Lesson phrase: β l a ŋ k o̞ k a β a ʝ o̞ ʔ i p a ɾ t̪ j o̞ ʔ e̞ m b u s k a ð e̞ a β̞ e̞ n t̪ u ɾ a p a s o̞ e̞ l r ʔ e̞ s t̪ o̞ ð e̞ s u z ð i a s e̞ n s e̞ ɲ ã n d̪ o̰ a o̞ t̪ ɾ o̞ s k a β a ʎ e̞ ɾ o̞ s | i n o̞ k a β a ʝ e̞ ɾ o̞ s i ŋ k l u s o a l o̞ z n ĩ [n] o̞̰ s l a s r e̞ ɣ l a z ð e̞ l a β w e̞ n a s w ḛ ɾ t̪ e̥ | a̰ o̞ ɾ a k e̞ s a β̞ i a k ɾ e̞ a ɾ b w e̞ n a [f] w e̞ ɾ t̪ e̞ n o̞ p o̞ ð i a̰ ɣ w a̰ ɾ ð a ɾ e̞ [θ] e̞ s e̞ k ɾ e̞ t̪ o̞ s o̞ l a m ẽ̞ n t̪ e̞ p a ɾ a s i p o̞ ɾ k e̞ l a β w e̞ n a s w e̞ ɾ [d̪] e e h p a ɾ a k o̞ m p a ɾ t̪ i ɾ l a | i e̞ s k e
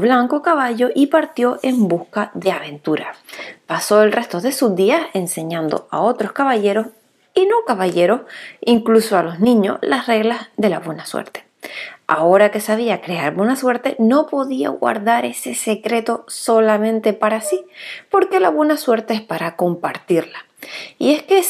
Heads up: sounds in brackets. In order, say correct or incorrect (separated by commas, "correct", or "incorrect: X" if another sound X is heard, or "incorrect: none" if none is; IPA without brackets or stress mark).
incorrect: ɲ, incorrect: s, incorrect: s, incorrect: t̪